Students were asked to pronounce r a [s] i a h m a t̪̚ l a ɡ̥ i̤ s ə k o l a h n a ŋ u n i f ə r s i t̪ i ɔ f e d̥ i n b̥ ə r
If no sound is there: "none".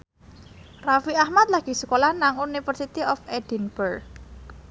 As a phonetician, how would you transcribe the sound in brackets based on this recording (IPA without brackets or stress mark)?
f